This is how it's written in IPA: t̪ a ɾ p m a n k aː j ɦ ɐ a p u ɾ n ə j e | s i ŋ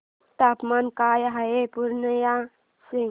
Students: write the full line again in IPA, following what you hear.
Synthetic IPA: t̪ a p m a n k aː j ɦ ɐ e p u ɾ n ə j a | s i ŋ